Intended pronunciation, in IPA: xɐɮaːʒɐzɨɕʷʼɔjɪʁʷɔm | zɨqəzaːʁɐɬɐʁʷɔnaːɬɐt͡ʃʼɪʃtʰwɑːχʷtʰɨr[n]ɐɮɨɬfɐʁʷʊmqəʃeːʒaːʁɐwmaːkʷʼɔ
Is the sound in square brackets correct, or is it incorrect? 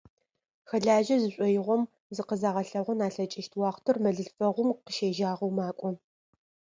incorrect